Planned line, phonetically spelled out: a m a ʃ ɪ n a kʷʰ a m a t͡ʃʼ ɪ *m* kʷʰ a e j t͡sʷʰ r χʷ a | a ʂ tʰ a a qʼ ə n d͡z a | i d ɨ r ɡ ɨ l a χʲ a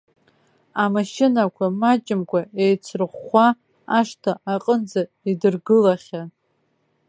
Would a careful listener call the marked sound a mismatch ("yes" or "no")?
no